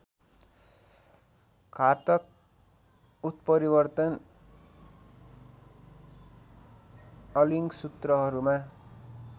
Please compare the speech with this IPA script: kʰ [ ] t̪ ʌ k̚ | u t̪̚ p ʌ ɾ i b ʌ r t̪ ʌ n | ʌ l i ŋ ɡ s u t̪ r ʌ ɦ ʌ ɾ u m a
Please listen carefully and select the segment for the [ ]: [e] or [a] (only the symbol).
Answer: a